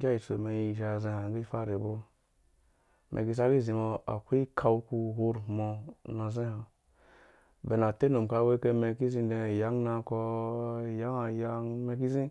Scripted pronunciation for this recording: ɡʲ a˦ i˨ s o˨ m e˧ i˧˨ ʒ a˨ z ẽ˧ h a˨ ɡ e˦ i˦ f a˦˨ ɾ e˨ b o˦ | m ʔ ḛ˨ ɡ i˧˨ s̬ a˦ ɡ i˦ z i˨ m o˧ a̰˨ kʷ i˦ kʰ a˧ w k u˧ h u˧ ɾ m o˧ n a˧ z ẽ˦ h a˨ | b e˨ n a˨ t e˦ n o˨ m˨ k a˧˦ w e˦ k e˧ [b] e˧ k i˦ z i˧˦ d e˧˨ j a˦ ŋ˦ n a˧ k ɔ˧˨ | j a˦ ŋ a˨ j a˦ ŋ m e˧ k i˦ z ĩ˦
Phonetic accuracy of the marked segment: incorrect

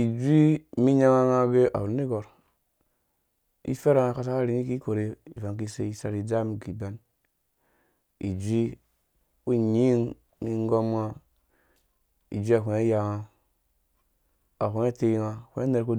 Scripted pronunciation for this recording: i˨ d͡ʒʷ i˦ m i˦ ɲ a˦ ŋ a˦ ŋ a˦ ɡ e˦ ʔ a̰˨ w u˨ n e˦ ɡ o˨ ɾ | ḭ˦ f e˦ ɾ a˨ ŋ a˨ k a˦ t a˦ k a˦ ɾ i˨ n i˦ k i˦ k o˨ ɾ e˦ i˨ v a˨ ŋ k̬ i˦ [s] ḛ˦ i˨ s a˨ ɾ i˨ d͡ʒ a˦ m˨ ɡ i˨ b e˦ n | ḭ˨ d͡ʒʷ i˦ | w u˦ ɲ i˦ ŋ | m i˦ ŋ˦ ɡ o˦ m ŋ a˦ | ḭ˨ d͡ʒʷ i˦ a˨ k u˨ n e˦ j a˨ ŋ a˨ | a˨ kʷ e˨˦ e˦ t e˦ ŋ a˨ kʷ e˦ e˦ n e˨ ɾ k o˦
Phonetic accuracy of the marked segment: correct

